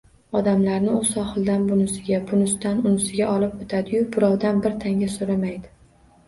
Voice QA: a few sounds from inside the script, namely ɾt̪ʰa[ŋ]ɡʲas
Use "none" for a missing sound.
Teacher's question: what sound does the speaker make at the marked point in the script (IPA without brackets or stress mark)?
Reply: ŋ